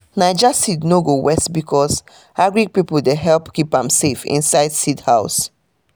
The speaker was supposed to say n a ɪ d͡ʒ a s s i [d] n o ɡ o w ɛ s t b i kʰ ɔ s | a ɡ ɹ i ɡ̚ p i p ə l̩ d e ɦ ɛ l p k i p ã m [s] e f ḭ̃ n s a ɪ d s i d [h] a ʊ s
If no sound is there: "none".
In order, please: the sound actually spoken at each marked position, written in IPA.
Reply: d, s, h

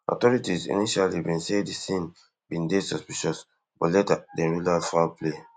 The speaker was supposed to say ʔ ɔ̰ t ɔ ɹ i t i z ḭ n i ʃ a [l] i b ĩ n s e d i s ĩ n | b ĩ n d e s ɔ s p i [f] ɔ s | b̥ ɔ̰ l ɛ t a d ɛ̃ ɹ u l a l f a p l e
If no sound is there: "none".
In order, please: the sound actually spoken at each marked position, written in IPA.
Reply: l, ʃ

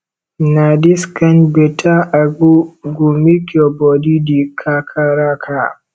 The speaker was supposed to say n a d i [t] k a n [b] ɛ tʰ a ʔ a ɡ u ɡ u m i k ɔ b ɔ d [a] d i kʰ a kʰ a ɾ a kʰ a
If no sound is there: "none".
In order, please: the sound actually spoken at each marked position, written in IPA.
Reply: s, b, i

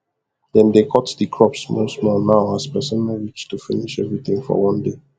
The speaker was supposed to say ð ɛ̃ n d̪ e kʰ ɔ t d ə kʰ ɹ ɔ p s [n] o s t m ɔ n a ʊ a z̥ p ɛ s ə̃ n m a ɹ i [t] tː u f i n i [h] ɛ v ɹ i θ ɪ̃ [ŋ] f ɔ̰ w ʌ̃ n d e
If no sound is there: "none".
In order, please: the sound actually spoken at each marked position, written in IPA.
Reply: m, t͡ʃ, ʃ, ŋ

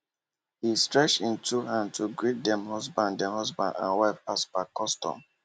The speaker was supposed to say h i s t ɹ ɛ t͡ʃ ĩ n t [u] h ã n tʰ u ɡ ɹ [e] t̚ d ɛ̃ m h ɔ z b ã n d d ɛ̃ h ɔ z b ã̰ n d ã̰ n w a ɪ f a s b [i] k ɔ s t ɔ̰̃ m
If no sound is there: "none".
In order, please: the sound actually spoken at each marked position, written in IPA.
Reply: u, i, a

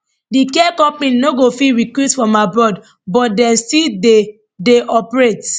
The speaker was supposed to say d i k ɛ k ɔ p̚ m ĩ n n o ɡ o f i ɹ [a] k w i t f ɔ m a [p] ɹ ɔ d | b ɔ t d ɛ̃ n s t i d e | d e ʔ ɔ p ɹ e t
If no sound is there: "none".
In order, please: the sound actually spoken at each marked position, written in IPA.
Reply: i, b

